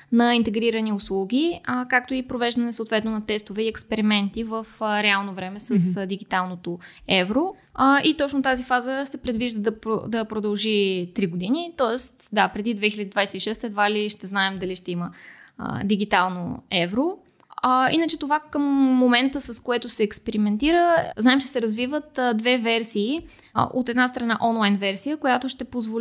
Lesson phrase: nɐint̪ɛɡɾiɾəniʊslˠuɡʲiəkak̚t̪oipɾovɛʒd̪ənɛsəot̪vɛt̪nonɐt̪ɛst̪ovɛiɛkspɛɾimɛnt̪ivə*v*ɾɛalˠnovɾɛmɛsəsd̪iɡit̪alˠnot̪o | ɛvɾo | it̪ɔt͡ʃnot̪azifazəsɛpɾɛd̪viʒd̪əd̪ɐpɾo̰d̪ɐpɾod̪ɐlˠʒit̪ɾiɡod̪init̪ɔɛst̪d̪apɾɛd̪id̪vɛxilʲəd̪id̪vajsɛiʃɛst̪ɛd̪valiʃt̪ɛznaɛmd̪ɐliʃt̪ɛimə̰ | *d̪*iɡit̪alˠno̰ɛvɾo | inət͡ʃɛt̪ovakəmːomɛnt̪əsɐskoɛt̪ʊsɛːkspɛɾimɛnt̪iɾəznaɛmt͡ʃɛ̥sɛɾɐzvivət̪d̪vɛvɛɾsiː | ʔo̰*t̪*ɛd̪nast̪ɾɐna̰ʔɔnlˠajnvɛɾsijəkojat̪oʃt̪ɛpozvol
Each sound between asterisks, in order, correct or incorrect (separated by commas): incorrect, correct, correct